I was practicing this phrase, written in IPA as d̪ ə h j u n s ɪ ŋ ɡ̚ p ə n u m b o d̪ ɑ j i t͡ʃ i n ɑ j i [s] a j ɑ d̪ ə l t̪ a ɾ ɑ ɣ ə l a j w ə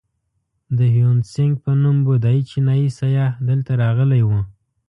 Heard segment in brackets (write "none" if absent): s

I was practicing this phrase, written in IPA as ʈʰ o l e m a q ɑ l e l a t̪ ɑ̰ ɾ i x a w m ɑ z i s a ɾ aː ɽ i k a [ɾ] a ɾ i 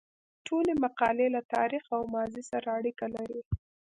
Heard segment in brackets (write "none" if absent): l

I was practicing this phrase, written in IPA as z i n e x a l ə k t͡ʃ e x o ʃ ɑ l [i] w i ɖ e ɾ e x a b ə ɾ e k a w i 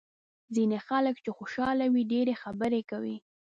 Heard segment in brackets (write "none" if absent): a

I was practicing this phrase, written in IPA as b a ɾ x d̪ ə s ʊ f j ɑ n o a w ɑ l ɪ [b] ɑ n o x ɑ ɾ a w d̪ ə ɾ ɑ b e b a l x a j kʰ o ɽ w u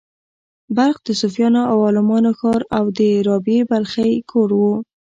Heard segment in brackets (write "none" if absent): m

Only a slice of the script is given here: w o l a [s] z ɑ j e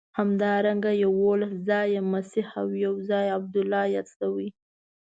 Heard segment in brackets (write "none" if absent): s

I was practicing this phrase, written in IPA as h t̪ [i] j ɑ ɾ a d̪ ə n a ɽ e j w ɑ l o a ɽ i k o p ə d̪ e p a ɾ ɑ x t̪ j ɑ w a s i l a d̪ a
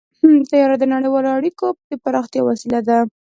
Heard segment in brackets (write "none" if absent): a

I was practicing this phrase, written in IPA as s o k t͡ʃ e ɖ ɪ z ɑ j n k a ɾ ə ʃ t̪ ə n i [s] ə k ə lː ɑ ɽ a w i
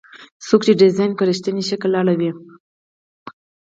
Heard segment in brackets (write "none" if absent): ʃ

